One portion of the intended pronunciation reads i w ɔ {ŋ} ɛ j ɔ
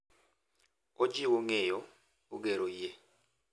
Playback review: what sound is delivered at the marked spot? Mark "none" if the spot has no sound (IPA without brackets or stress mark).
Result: ŋ